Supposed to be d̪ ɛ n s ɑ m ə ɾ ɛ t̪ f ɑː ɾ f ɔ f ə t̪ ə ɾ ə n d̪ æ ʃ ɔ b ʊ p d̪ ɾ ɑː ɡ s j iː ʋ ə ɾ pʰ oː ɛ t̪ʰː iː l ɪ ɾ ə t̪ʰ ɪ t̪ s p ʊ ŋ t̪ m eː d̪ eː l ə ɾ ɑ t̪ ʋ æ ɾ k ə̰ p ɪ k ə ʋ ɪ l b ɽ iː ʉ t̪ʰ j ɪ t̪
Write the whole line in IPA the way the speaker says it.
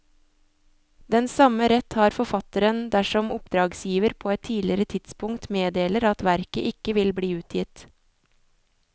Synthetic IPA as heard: d̪ ɛ n s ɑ m ə ɾ ɛ t̪ h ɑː ɾ f ɔ f ɑ t̪ ə ɾ ə n d̪ æ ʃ ɔ m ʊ p d̪ ɾ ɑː ɡ s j iː ʋ ə ɾ pʰ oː ɛ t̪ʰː iː l ɪ ɾ ə t̪ʰ ɪ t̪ s p ʊ ŋ t̪ m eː d̪ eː l ə ɾ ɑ t̪ ʋ æ ɾ k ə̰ ʔ ɪ k ə ʋ ɪ l b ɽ iː ʉː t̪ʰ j ɪ t̪